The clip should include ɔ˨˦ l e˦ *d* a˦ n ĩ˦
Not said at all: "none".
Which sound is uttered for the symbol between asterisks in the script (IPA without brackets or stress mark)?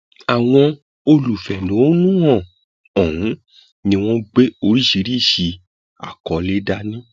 d